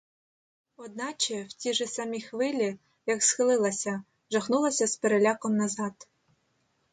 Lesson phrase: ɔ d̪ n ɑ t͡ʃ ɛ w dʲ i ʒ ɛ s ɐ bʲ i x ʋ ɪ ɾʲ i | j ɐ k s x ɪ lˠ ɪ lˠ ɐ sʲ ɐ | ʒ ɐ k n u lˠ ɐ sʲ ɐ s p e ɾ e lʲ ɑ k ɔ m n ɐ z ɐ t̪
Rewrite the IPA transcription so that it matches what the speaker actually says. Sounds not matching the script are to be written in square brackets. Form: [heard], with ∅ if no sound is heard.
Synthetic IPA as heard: ɔ d̪ n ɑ t͡ʃ ɛ w [tʲ] i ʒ ɛ s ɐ [mʲ] i x ʋ ɪ [lʲ] i | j ɐ k s x ɪ lˠ ɪ lˠ ɐ sʲ ɐ | ʒ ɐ [x] n u lˠ ɐ sʲ ɐ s p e ɾ e lʲ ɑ k ɔ m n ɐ z [ɑ] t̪